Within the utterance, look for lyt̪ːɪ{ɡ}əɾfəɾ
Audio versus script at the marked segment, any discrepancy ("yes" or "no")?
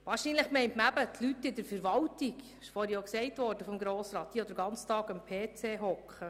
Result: yes